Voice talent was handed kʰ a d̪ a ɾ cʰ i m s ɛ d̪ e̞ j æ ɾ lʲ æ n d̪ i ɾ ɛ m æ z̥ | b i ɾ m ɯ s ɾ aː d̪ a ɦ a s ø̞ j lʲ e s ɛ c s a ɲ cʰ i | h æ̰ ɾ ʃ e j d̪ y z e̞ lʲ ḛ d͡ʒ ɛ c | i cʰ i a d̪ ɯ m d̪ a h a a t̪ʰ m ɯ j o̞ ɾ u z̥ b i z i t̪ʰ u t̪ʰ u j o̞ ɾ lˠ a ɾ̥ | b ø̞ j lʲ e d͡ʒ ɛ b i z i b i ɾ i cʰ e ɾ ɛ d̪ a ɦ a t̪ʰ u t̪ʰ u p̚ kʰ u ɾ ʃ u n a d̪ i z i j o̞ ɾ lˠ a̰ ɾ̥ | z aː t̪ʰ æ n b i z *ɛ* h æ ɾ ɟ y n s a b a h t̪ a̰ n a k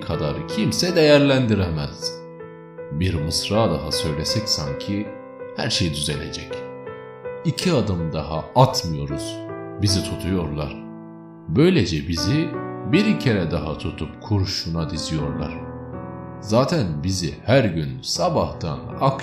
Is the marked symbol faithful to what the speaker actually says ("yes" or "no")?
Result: no